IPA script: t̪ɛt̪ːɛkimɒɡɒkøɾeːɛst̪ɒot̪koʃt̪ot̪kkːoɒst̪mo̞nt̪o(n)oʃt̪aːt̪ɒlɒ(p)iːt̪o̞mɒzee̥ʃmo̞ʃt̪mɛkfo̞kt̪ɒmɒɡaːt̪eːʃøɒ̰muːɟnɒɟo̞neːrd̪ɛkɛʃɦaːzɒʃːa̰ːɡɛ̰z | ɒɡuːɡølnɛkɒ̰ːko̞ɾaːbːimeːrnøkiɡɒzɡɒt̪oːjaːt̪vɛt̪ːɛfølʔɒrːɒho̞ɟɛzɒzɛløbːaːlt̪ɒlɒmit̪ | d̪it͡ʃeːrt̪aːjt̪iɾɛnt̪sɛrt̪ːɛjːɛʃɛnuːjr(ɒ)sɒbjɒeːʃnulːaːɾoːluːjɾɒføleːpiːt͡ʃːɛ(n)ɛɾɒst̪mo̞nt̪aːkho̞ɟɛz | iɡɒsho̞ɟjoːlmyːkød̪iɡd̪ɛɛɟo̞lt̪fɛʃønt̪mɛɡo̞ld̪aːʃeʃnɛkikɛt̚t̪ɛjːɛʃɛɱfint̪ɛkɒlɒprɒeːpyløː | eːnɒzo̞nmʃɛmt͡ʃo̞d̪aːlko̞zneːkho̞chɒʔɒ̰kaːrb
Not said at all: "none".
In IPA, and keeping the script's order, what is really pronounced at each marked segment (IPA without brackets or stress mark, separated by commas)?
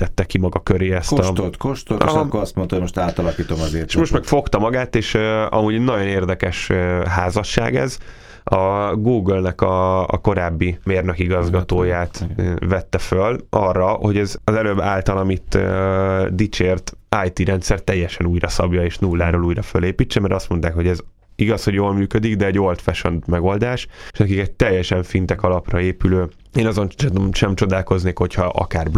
m, k, ɒ, m